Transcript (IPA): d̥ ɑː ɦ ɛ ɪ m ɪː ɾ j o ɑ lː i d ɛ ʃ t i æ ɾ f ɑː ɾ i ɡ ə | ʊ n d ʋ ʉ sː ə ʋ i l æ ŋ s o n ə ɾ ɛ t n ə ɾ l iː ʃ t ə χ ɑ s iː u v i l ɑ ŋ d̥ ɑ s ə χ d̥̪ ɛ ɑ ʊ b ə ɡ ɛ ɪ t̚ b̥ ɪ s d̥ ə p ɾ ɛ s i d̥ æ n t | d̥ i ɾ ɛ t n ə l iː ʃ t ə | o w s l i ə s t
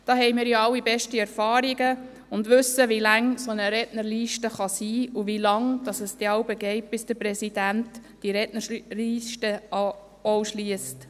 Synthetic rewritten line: d̥ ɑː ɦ ɛ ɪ m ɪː ɾ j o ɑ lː i b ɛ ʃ t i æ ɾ f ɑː ɾ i ɡ ə | ʊ n d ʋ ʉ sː ə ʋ i l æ ŋ s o n ə ɾ ɛ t n ə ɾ l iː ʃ t ə χ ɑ s iː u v i l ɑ ŋ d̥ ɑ s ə s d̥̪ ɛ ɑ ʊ b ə ɡ ɛ ɪ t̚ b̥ ɪ s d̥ ə p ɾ ɛ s i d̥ æ n t | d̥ i ɾ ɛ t n ə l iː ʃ t ə | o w ʃ l i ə s t